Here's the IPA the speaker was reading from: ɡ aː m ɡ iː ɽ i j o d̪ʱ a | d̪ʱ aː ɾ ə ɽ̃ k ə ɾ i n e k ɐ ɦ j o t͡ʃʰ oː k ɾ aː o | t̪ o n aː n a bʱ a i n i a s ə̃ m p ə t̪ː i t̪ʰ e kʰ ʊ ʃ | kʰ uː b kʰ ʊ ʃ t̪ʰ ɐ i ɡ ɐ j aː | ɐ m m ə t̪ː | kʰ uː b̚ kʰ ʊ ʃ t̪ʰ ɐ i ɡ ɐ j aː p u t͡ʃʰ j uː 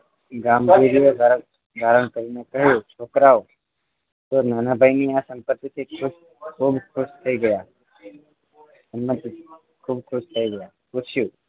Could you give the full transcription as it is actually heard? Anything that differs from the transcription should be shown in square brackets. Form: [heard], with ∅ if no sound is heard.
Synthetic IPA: ɡ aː m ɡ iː [ɾ] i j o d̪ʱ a | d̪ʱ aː ɾ ə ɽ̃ k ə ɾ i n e k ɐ ɦ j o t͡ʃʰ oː k ɾ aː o | t̪ o n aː n a bʱ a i n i a s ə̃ m p ə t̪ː i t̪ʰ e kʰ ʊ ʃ | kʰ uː b kʰ ʊ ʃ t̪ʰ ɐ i ɡ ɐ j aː | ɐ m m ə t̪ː | kʰ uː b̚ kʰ ʊ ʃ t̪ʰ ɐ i ɡ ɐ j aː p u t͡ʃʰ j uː